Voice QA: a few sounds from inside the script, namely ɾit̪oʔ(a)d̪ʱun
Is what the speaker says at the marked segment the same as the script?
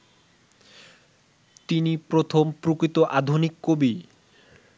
yes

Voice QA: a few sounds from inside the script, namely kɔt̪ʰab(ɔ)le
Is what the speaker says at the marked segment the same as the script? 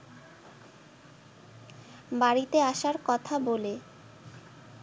no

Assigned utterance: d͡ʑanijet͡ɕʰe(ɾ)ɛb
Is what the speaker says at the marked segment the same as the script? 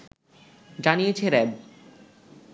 yes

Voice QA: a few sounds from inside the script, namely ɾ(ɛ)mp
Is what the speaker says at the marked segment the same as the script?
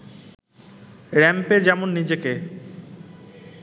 yes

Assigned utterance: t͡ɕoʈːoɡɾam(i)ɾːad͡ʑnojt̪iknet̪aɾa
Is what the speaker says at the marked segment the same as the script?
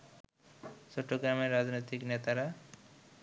no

